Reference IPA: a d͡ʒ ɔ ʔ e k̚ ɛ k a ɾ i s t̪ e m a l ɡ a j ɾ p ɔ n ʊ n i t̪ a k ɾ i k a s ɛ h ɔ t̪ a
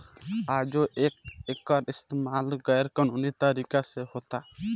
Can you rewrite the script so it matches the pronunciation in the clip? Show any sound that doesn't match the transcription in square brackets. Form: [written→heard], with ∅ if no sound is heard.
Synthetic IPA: a d͡ʒ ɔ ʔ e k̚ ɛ k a ɾ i s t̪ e m a l ɡ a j ɾ [p→k] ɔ n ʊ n i t̪ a [k→∅] ɾ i k a s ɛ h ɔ t̪ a